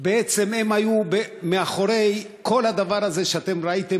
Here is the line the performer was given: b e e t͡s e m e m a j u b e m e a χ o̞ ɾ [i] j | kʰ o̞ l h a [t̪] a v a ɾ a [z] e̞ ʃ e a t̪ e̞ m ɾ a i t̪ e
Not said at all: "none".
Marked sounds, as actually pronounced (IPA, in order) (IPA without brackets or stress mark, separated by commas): e, d̪, z